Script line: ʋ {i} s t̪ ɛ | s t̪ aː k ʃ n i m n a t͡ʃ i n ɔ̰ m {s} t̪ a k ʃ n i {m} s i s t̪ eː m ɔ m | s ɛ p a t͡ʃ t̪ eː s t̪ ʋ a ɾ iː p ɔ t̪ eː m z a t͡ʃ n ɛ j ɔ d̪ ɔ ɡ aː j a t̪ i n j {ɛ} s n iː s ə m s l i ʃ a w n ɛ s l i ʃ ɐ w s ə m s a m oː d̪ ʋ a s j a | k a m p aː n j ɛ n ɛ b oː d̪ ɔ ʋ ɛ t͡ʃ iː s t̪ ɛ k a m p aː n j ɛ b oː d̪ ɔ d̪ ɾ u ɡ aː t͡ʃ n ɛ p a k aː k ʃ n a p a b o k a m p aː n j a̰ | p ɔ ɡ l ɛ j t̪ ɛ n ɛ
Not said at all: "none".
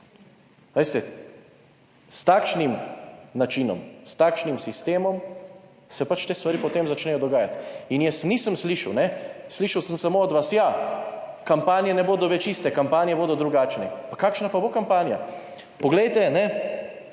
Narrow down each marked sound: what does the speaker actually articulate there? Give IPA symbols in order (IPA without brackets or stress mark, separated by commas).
e, s, m, ɛ